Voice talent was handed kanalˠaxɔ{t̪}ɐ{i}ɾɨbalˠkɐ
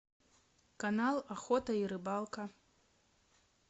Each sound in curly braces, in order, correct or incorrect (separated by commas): correct, correct